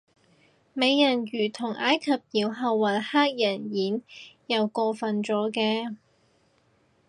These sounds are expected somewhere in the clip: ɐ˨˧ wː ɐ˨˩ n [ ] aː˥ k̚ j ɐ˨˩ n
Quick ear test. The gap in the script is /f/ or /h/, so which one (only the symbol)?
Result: h